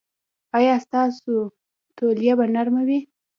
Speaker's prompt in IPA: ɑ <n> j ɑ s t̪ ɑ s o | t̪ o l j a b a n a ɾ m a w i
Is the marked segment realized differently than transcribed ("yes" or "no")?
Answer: yes